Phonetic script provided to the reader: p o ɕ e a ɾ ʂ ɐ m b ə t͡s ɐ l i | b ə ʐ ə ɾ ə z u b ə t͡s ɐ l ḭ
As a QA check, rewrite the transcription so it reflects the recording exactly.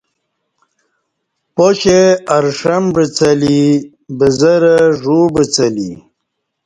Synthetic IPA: p o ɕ e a ɾ ʂ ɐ m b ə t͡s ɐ l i | b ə z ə ɾ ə ʐ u b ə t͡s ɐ l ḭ